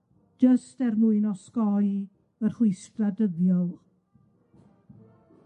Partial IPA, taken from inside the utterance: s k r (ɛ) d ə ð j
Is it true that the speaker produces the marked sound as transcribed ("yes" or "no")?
no